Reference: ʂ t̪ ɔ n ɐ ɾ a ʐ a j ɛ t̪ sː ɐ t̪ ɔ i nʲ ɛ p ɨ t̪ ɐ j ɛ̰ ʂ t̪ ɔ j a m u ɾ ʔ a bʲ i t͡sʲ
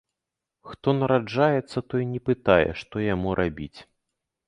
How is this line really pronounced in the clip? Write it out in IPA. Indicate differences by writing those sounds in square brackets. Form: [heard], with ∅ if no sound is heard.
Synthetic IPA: [x] t̪ ɔ n ɐ ɾ a [d͡ʐ] a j ɛ t̪ sː ɐ t̪ ɔ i nʲ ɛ p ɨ t̪ [a] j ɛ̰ ʂ t̪ ɔ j a m u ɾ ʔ a bʲ i t͡sʲ